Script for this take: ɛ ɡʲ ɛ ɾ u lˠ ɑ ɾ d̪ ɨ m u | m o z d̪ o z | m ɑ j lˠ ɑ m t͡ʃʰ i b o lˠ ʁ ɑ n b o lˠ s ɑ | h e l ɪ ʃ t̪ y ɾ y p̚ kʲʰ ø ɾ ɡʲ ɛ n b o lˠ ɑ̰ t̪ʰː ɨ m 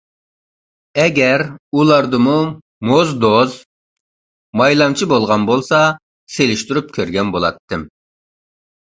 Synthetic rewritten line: ɛ ɡʲ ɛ ɾ u lˠ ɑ ɾ d̪ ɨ m u | m o z d̪ o z | m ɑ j lˠ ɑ m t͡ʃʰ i b o lˠ ʁ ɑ n b o lˠ s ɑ | s e l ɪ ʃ t̪ y ɾ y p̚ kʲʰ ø ɾ ɡʲ ɛ n b o lˠ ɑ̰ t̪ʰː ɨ m